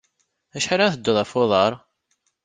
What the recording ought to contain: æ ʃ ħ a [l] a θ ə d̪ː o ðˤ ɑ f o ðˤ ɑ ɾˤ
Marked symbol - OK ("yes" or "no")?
no